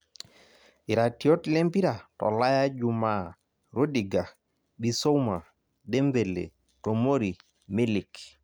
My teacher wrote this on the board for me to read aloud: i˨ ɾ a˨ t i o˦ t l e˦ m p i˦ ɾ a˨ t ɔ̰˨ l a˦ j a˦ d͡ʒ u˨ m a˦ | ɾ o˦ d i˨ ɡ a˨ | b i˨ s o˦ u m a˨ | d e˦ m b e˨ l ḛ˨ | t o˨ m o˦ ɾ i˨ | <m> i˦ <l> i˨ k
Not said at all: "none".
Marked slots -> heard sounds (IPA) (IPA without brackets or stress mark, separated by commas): m, l